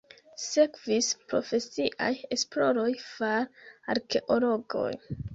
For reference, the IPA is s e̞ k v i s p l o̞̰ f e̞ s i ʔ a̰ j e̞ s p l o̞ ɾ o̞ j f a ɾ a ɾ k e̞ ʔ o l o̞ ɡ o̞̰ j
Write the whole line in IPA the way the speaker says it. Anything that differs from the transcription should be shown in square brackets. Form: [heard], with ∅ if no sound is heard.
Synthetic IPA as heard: s e̞ k v i s p [ɾ] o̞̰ f e̞ s i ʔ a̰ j e̞ s p l o̞ ɾ o̞ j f a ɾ a ɾ k e̞ ʔ o l o̞ ɡ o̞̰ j